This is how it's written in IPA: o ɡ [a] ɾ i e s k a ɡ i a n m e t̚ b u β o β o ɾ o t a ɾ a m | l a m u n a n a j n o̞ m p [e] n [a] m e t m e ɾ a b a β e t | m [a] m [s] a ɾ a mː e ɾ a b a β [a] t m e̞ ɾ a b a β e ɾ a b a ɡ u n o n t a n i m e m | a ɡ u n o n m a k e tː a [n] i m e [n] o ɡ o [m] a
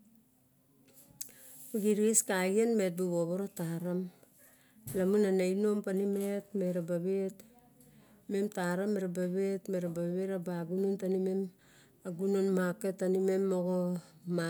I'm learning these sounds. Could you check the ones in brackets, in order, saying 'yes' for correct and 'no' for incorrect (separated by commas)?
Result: no, no, no, no, no, no, yes, no, yes